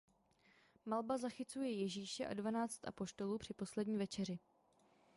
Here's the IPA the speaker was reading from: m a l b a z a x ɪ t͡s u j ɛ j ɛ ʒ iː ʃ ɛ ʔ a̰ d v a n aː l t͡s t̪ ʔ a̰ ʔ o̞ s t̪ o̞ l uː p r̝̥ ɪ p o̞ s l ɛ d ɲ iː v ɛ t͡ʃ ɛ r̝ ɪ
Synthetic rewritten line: m a l b a z a x ɪ t͡s u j ɛ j ɛ ʒ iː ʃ ɛ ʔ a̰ d v a n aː t͡s t̪ ʔ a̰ p o̞ ʃ t̪ o̞ l uː p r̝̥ ɪ p o̞ s l ɛ d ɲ iː v ɛ t͡ʃ ɛ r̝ ɪ